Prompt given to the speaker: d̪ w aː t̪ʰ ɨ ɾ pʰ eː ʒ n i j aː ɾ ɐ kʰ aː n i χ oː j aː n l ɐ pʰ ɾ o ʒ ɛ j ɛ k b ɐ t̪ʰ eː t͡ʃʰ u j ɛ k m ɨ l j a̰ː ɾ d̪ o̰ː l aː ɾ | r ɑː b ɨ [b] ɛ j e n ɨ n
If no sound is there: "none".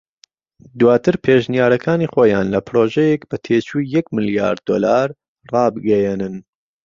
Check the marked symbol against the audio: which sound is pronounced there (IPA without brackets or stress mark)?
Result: ɡ